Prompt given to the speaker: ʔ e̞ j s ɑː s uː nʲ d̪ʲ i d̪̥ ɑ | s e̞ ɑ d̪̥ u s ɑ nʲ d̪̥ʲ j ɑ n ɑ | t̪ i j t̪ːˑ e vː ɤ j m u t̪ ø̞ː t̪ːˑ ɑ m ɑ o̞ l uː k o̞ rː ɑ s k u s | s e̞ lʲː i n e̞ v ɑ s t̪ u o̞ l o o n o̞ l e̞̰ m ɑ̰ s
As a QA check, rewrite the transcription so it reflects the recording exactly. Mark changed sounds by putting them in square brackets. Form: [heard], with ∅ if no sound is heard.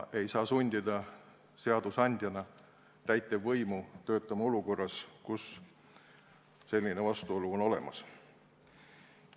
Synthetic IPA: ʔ e̞ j s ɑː s [u] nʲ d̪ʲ i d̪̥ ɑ | s e̞ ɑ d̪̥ u s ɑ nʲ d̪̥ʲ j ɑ n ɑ | t̪ [æ] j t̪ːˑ e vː ɤ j m u t̪ ø̞ː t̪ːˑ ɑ m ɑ o̞ l [u] k o̞ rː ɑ s k u s | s e̞ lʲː i n e̞ v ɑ s t̪ u o̞ l [u] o n o̞ l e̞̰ m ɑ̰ s